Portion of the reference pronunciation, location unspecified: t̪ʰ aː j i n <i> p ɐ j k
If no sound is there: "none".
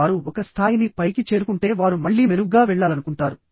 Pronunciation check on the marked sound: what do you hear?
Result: i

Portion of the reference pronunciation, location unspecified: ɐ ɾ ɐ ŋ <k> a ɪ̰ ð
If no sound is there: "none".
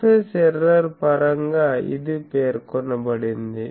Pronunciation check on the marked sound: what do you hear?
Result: ɡ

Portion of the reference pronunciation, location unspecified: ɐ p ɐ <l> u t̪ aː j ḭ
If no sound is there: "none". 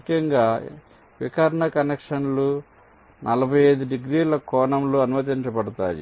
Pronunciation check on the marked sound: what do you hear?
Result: ɽ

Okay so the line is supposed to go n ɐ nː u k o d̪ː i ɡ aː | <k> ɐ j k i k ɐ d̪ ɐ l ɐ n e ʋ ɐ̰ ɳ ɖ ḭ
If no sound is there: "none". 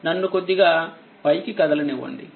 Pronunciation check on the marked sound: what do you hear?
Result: p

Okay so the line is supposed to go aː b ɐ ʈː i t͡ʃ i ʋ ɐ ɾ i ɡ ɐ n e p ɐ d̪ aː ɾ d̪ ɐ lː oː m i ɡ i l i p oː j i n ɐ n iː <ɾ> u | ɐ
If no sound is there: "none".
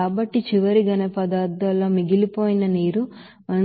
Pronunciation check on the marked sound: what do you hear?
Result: ɾ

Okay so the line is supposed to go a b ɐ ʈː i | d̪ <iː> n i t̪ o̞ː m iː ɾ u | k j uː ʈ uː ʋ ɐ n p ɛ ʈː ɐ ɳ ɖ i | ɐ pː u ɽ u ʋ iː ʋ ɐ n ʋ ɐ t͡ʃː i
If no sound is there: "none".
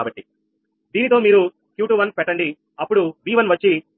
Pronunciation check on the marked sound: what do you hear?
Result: iː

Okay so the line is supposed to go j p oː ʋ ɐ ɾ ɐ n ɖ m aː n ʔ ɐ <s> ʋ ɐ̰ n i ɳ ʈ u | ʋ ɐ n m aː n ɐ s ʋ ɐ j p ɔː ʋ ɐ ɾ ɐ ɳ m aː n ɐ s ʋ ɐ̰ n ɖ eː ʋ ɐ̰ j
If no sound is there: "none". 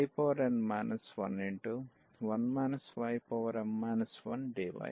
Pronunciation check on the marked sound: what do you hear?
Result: s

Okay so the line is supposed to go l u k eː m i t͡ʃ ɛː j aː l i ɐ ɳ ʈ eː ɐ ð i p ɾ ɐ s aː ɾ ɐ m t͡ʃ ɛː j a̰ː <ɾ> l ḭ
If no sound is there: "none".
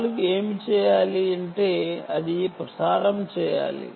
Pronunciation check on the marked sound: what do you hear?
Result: none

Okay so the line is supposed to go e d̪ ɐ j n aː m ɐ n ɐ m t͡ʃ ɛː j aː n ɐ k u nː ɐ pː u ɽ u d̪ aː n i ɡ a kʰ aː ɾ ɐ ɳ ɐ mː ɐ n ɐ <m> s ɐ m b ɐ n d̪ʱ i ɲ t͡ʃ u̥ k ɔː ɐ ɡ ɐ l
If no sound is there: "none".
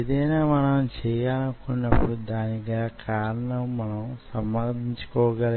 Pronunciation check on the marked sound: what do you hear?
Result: m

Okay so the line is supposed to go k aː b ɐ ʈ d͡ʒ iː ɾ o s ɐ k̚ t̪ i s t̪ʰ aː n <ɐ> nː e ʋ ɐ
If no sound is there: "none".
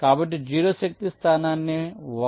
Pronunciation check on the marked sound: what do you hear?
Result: a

